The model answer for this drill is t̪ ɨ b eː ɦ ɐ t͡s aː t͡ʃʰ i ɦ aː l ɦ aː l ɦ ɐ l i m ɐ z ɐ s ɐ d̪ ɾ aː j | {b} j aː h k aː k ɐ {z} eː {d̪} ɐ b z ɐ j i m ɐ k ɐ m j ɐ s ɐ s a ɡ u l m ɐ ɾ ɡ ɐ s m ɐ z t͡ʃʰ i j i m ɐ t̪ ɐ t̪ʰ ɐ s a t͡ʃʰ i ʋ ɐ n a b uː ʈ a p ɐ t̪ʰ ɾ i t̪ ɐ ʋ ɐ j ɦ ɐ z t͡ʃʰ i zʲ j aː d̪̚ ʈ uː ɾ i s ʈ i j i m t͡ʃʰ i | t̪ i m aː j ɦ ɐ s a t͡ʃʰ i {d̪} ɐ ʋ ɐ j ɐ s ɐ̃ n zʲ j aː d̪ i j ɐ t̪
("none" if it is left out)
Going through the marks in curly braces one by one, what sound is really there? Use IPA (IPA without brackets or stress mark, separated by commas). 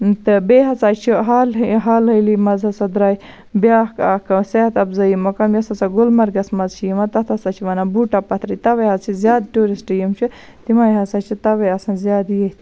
b, s, t̪, t̪